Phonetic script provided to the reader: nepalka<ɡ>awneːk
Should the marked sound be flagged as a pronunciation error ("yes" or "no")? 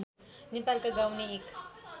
no